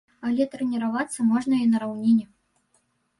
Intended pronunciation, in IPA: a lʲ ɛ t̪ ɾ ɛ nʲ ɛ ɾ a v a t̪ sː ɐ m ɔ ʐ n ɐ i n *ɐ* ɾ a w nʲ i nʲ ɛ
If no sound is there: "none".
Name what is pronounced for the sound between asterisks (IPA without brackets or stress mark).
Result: ɐ